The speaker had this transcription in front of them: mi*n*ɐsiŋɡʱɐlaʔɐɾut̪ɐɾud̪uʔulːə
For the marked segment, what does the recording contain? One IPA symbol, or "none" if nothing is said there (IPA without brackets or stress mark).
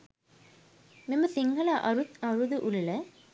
m